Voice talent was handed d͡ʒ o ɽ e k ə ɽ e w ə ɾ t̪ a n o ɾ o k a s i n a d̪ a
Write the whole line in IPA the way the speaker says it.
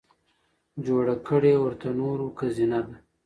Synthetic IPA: d͡ʒ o ɽ a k ə ɽ e w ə ɾ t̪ a n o ɾ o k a z i n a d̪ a